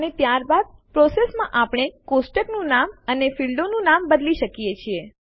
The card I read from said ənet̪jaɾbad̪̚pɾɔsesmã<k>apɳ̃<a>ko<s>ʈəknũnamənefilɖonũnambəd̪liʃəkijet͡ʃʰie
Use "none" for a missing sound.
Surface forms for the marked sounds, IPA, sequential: ʔ, e, s

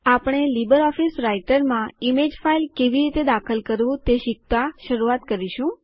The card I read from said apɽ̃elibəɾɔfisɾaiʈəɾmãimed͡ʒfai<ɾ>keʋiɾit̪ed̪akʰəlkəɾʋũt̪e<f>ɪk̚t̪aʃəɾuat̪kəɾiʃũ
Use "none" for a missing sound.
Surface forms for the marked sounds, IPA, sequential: l, ʃ

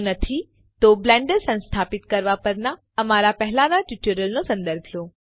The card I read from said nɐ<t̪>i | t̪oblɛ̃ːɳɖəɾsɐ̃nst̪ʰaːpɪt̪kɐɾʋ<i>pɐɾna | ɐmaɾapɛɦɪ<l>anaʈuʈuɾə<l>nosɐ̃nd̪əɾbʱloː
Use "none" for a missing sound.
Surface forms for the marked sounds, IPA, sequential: t̪ʰ, a, l, l

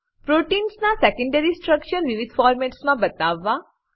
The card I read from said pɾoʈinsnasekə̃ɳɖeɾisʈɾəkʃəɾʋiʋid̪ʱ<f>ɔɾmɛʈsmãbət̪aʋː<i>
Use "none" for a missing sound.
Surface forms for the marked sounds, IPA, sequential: f, a

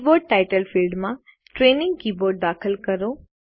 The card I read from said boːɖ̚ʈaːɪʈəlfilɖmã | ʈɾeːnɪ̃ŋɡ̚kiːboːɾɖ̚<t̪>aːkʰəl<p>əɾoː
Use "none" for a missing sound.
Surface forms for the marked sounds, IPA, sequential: d̪, k

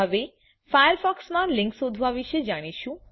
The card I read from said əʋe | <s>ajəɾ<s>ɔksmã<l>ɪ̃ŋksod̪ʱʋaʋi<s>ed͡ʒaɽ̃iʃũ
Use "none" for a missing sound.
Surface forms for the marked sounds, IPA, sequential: f, f, l, ʃ

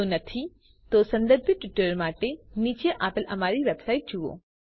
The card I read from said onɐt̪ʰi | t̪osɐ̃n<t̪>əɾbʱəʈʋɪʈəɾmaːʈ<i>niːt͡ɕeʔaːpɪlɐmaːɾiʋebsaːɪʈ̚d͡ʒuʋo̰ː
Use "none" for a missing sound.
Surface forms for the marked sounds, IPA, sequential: d̪, e

